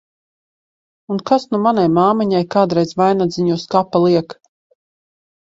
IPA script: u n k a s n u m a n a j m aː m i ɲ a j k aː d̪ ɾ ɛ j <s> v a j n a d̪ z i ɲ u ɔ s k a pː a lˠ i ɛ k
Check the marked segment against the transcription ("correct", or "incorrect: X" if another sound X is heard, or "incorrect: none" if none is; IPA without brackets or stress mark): incorrect: z